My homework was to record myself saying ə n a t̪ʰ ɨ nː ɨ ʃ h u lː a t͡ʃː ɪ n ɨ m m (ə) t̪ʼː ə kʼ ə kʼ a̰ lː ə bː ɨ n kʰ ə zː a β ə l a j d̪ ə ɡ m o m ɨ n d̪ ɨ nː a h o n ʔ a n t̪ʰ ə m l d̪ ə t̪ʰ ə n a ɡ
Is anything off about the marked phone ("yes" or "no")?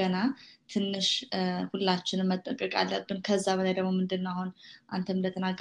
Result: no